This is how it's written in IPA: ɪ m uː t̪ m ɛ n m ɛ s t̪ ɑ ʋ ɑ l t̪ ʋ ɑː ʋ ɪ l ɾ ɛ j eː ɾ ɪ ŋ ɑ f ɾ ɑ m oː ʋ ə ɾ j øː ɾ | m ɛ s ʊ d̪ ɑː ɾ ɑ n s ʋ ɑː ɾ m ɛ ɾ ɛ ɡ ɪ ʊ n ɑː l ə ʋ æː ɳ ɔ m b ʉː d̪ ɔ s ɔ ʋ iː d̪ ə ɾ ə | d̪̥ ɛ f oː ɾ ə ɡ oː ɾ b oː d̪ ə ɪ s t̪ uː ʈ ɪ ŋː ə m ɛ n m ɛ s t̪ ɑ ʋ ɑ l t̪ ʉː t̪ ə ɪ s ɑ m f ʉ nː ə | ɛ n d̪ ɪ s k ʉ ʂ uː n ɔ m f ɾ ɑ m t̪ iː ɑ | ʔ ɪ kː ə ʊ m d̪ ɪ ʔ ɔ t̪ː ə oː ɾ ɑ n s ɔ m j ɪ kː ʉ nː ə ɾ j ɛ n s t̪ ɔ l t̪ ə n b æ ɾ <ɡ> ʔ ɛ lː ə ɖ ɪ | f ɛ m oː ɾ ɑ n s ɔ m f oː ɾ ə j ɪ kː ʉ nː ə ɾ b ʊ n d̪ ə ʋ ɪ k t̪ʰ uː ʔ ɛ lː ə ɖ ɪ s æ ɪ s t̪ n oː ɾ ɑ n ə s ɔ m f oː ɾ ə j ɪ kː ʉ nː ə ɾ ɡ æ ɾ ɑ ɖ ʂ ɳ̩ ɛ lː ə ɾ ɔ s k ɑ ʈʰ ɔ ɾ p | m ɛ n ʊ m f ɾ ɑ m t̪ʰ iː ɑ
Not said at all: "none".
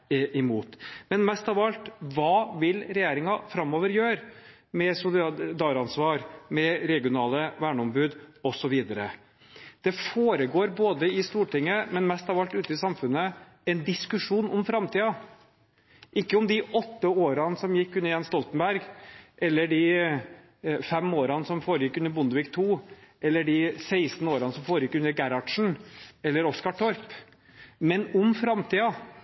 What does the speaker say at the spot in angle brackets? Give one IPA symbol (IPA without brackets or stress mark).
ɡ